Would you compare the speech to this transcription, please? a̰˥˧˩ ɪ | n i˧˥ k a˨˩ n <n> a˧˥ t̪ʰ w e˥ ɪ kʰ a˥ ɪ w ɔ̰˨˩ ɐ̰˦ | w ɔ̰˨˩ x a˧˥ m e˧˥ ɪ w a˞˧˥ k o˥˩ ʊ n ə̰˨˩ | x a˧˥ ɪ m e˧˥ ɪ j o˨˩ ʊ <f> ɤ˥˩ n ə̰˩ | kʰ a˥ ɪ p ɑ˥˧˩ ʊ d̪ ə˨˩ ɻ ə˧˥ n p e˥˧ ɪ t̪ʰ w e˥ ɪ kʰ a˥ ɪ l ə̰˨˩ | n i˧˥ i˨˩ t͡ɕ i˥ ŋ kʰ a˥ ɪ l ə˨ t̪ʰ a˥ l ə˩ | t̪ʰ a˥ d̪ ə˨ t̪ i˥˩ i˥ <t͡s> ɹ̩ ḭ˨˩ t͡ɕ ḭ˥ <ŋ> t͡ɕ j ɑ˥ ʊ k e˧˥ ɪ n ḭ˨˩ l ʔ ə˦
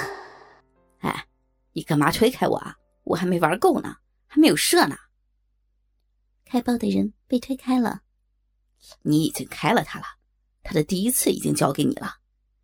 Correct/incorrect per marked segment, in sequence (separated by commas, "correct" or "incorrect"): incorrect, incorrect, incorrect, correct